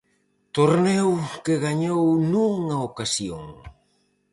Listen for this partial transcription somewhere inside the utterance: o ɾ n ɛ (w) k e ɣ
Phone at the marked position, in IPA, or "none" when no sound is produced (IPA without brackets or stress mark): w